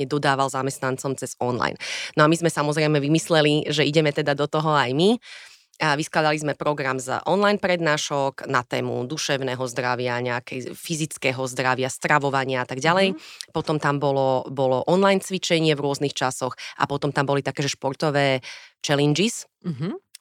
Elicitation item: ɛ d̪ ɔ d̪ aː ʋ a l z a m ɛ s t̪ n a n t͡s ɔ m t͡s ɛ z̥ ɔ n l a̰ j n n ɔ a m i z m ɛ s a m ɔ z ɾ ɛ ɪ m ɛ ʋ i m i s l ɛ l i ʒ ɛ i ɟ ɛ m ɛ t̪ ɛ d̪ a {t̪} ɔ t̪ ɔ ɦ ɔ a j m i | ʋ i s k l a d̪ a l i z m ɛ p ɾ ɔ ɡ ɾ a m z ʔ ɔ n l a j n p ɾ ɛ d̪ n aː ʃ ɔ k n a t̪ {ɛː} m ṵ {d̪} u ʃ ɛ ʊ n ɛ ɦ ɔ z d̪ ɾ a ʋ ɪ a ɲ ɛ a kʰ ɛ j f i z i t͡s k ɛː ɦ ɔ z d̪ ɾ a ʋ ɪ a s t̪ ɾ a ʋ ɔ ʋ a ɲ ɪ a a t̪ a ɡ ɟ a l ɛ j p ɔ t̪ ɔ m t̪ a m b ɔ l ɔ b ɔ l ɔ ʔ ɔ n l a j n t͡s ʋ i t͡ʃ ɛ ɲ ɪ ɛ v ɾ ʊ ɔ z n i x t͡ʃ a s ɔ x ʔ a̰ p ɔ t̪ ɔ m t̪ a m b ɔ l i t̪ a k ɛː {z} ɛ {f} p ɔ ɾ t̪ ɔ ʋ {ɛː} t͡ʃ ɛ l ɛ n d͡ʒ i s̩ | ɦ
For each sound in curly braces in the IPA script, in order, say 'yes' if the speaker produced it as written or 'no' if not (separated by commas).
no, yes, yes, no, no, yes